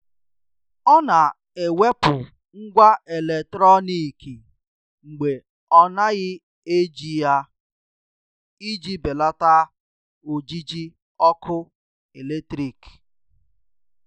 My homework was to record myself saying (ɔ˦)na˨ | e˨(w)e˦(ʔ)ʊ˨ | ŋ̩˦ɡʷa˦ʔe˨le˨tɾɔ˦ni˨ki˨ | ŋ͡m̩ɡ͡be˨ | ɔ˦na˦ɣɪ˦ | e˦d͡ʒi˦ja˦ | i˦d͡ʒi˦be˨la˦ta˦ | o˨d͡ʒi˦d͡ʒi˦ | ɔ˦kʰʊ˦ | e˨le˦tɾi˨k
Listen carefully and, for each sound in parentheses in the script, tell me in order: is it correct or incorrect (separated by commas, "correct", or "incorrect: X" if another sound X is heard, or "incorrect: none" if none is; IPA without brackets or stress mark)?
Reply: correct, correct, incorrect: p